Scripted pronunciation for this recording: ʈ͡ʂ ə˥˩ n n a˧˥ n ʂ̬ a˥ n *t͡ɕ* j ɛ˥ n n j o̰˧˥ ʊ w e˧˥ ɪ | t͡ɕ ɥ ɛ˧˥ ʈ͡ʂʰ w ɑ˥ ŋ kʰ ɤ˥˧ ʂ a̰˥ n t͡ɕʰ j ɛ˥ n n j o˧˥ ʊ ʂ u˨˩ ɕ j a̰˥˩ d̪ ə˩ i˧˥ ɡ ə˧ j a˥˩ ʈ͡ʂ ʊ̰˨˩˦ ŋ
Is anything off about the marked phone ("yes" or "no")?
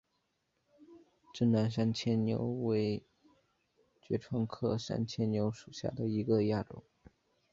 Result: yes